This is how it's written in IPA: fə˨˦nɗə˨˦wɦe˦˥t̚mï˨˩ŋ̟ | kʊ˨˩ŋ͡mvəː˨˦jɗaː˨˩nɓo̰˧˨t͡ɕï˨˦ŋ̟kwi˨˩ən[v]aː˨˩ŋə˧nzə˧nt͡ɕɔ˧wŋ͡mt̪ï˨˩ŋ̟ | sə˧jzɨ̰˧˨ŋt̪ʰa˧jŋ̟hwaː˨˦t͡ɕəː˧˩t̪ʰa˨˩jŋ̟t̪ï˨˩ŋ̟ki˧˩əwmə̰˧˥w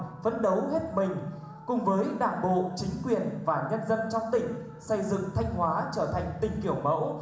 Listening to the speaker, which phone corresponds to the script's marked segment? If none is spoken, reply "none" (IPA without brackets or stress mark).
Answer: v